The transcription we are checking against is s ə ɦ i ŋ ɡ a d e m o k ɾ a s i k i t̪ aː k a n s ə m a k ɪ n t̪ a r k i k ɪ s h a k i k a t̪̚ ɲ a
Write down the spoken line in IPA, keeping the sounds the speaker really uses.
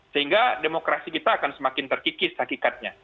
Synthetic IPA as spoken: s ə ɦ i ŋ ɡ a d e m o k ɾ a s i k i t̪ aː k a n s ə m a k ɪ n t̪ ə r k i k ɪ s h a k i k a t̪̚ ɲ a